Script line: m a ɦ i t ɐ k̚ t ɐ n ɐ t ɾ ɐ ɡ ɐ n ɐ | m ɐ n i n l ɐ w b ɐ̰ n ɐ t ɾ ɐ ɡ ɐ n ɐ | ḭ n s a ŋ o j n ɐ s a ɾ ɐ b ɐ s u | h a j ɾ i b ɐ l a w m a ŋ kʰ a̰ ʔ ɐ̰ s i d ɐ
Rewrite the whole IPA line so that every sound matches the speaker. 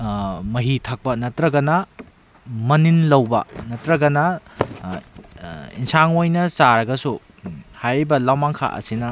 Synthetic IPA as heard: m ɐ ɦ i tʰ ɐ k̚ p ɐ n ɐ t ɾ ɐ ɡ ɐ n ɐ | m ɐ n i n l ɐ w b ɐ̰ n ɐ t ɾ ɐ ɡ ɐ n ɐ | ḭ n s a ŋ o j n ɐ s a ɾ ɐ ɡ ɐ s u | h a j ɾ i b ɐ l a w m a ŋ kʰ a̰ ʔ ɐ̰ s i n ɐ